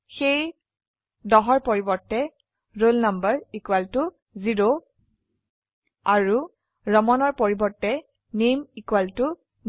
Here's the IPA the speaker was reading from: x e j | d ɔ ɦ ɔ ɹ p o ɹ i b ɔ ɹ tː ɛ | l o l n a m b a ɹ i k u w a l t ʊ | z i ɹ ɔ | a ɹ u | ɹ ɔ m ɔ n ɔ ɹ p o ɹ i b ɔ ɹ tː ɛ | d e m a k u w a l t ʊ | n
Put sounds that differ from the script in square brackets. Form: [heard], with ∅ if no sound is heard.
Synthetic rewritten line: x e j | d ɔ ɦ ɔ ɹ p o ɹ i b ɔ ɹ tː ɛ | [ɹ] o l n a m b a ɹ i k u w a l t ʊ | z i ɹ [o] | a ɹ u | ɹ ɔ m ɔ n ɔ ɹ p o ɹ i b ɔ ɹ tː ɛ | [n] e m [i] k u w a l t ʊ | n